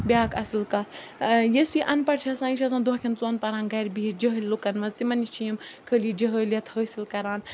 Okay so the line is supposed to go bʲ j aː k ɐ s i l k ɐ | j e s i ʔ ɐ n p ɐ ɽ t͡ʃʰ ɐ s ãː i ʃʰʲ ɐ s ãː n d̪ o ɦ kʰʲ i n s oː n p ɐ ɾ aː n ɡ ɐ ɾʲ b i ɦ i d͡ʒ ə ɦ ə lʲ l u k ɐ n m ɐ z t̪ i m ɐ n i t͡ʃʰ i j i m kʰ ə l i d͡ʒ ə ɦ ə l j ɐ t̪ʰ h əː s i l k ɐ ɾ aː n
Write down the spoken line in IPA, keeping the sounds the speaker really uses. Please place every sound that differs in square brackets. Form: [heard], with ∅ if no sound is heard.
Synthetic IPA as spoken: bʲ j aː k ɐ s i l k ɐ | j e s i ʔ ɐ n p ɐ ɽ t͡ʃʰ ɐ s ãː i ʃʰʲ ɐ s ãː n d̪ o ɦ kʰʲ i n [t͡s] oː n p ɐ ɾ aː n ɡ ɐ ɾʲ b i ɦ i d͡ʒ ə ɦ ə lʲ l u k ɐ n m ɐ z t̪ i m ɐ n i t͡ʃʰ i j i m kʰ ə l i d͡ʒ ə ɦ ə l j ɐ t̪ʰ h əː s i l k ɐ ɾ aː n